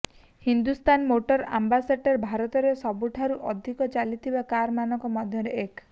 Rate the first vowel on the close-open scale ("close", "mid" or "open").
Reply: close